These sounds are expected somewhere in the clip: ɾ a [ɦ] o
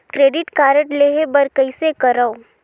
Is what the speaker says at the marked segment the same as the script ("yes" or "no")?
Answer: no